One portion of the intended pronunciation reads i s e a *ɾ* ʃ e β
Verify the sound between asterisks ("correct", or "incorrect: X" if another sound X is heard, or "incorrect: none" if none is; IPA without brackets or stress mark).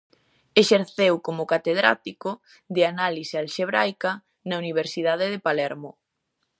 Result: incorrect: l